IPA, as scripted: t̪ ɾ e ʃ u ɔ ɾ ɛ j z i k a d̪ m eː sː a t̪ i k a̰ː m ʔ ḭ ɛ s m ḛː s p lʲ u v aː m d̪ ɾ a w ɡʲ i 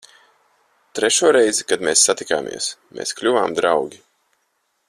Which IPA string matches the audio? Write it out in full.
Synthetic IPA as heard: t̪ ɾ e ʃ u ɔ ɾ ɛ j z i k a d̪ m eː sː a t̪ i k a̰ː m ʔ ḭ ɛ s m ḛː s k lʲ u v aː m d̪ ɾ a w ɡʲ i